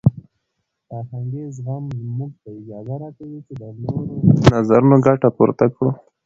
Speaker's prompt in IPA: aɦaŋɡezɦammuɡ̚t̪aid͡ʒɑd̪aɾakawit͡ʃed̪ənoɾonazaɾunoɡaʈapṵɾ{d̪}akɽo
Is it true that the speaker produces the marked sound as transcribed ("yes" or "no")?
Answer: no